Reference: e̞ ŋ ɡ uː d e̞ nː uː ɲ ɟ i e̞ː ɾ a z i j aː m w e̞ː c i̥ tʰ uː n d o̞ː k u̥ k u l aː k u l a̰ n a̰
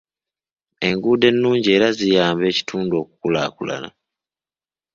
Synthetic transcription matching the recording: e̞ ŋ ɡ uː d e̞ nː uː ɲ ɟ i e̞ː ɾ a z i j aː m b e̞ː c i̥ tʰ uː n d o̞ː k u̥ k u l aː k u l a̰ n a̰